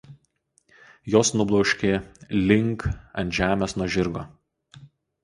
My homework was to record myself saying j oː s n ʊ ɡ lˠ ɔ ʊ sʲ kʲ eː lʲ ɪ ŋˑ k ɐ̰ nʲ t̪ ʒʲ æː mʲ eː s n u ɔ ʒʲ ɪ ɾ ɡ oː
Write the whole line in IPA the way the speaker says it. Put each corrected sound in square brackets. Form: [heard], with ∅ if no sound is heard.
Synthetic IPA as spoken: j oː s n ʊ [b] lˠ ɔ ʊ [ʃʲ] kʲ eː lʲ ɪ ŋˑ k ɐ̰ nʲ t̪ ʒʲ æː mʲ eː s n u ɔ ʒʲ ɪ ɾ ɡ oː